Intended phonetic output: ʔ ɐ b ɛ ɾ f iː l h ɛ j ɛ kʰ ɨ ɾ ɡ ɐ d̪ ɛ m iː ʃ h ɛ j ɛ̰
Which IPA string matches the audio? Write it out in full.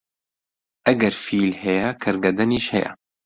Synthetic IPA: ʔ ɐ ɡ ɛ ɾ f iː l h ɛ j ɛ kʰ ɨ ɾ ɡ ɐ d̪ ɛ n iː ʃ h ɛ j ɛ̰